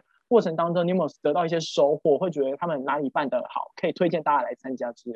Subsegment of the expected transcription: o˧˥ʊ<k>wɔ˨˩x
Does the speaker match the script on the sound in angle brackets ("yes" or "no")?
no